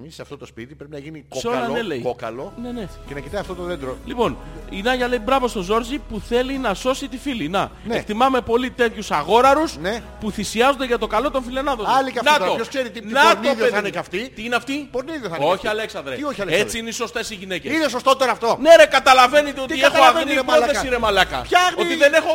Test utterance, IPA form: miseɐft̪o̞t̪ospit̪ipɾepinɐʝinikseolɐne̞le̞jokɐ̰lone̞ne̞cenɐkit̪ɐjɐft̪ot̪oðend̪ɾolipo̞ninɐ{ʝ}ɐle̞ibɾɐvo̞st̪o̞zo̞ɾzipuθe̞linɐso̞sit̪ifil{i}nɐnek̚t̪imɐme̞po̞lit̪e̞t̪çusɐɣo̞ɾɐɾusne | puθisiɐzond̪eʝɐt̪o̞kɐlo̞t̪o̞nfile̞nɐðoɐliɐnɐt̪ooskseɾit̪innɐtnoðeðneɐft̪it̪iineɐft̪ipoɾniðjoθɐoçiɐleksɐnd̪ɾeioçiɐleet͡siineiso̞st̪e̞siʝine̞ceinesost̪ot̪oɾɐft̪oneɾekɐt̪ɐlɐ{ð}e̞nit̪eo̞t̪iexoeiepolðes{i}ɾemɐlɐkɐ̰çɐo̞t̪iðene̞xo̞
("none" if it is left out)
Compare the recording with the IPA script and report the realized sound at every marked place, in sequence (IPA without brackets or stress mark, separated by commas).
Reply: ʝ, i, v, i